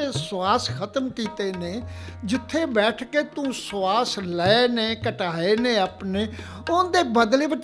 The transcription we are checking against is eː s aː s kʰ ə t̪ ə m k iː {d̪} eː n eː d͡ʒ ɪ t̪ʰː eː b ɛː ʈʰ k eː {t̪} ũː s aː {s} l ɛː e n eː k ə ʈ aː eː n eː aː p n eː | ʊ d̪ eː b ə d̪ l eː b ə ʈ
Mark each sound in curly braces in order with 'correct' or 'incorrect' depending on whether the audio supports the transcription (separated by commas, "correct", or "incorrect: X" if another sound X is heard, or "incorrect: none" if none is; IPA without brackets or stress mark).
incorrect: t̪, correct, correct